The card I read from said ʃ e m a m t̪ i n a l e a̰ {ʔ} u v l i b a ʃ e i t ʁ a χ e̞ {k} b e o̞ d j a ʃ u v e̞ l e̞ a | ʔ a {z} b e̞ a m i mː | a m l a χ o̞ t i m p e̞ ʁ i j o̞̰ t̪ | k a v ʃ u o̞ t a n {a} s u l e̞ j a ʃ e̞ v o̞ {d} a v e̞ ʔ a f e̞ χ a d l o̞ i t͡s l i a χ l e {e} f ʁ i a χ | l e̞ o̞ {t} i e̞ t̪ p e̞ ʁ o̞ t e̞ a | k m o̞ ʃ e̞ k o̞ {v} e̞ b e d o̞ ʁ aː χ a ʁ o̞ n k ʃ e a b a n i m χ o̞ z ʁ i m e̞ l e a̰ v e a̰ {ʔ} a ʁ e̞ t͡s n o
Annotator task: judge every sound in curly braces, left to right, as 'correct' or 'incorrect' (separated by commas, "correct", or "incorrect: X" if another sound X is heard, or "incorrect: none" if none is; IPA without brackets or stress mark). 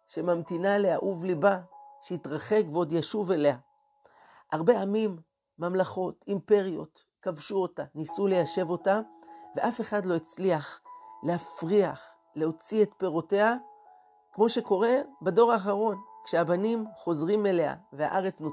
correct, correct, incorrect: ʁ, incorrect: i, incorrect: t, incorrect: a, incorrect: t͡s, incorrect: ʁ, correct